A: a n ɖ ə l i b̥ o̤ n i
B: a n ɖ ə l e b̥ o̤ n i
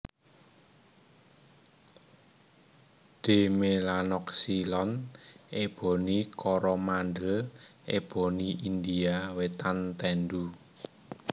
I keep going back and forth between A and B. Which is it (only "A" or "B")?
B